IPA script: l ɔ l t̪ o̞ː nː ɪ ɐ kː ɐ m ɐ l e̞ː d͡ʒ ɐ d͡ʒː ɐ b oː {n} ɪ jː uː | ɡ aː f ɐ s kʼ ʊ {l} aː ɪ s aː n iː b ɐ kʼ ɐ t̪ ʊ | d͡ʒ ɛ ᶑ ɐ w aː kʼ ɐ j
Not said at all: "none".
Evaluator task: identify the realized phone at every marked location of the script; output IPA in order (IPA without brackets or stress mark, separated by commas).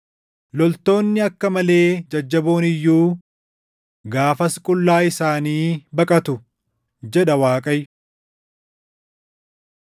n, lː